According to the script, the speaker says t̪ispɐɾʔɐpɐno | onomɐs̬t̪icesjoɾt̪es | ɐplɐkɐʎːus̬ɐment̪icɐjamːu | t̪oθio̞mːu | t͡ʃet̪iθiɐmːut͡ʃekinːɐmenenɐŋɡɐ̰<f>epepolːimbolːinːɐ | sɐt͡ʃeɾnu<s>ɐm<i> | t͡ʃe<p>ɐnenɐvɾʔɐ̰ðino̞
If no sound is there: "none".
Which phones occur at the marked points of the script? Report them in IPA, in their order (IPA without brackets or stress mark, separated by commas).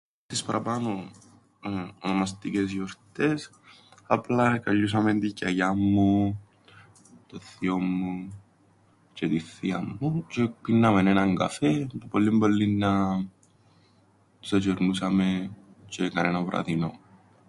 f, s, e, k